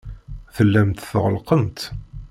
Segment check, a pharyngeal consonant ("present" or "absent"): absent